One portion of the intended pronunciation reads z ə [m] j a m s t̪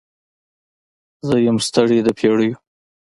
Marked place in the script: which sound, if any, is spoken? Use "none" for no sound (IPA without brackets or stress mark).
none